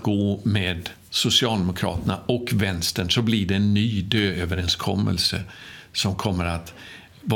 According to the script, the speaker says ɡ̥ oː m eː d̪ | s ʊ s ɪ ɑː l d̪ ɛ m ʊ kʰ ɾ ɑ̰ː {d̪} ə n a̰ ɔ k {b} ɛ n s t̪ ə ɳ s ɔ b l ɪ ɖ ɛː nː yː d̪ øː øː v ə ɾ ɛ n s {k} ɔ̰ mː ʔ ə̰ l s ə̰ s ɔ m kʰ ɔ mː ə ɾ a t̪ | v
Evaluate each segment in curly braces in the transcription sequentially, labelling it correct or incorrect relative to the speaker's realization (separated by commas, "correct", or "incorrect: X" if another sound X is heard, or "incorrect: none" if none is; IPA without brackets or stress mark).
incorrect: t̪, incorrect: v, incorrect: kʰ